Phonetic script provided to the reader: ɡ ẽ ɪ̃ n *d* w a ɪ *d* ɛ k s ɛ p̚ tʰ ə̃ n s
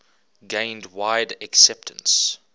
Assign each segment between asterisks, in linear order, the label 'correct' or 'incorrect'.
correct, correct

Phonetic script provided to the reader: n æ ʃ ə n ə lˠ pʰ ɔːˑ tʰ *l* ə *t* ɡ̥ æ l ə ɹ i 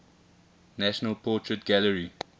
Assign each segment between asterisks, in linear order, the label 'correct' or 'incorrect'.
incorrect: ɹ, correct

